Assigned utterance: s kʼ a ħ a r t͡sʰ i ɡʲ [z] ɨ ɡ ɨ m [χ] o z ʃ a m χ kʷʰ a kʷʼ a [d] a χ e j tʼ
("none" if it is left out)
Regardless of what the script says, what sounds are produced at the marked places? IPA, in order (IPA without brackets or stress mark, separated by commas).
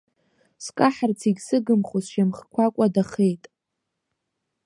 s, χ, d